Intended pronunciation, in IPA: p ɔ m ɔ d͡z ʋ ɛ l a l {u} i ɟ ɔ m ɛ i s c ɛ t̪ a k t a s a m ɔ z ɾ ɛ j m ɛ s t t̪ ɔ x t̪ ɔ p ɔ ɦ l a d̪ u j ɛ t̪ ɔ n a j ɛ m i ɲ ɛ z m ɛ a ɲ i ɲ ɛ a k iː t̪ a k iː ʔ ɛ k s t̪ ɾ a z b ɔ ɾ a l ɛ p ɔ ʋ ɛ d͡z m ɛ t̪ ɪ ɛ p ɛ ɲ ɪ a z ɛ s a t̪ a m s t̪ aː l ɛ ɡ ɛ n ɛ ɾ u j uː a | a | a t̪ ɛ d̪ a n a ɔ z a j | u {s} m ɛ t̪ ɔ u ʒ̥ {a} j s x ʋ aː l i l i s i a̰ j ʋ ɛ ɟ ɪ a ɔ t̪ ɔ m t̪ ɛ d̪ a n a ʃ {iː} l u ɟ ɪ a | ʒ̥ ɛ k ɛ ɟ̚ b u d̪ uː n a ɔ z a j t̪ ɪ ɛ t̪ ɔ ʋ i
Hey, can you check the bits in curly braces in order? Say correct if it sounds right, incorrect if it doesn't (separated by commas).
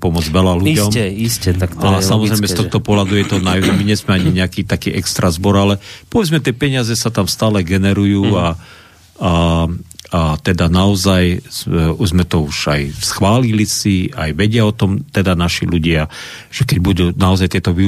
correct, incorrect, correct, incorrect